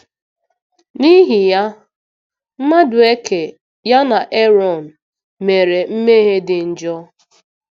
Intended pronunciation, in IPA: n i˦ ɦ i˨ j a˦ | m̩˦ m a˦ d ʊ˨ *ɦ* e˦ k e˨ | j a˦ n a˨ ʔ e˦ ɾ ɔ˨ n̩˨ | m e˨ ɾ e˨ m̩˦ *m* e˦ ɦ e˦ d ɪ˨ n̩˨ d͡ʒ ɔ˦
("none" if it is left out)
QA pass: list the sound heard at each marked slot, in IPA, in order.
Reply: none, m

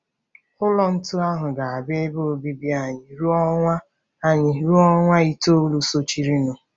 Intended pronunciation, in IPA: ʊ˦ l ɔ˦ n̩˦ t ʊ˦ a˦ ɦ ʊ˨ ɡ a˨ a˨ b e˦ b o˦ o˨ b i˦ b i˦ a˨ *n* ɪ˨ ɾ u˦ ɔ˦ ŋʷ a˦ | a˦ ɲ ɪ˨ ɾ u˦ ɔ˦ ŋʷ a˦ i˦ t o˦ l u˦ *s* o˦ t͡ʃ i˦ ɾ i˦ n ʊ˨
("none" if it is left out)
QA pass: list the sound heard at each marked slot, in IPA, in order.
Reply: ɲ, s

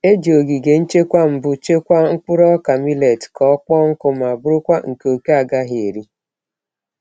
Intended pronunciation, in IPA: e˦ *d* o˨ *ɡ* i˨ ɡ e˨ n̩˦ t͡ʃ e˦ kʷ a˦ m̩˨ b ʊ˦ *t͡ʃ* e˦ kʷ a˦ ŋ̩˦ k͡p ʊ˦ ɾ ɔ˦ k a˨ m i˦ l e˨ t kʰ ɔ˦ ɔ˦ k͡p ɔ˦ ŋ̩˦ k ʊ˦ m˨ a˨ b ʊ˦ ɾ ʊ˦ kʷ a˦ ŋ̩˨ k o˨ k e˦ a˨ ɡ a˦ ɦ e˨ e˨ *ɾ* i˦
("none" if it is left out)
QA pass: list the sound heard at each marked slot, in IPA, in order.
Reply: d͡ʒ, ɡ, t͡ʃ, ɾ

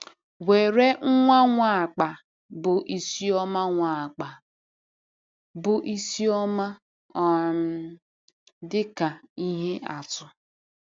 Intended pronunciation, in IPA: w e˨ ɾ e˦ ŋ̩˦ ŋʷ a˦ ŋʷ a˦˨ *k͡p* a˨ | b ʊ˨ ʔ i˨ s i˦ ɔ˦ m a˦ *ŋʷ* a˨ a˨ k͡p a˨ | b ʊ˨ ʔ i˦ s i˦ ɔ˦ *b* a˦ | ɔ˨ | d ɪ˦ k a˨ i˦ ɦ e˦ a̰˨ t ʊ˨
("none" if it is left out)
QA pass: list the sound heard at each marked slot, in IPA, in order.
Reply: k͡p, ŋʷ, m

